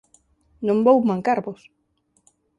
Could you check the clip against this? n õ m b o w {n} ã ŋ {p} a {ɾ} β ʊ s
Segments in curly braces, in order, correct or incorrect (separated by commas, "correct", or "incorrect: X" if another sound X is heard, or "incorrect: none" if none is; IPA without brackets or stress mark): incorrect: m, incorrect: k, correct